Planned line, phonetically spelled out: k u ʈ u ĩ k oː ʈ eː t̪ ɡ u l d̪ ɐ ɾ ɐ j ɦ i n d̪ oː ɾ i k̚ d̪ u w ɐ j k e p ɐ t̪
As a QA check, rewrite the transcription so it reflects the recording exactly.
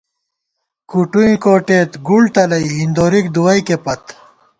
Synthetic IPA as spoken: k u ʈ u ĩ k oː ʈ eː t̪ ɡ u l t̪ ɐ l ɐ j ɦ i n d̪ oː ɾ i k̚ d̪ u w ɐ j k e p ɐ t̪